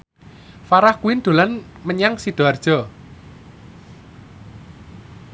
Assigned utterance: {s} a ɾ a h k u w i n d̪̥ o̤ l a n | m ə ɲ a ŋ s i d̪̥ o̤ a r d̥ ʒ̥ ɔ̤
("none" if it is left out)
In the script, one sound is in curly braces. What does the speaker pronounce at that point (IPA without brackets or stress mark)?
f